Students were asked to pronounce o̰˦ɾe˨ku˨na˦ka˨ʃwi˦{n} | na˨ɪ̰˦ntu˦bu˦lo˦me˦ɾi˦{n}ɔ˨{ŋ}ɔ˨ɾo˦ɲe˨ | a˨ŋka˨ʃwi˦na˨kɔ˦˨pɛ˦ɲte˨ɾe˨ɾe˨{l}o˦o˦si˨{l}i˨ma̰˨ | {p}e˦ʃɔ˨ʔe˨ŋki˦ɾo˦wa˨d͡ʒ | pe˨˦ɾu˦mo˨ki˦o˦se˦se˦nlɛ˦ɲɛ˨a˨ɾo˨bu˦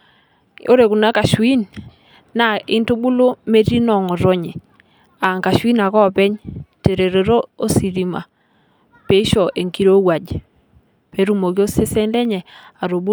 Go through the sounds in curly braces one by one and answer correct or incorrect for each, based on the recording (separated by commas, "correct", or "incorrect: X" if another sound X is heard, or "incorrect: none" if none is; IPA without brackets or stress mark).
correct, correct, correct, incorrect: ɾ, incorrect: ɾ, correct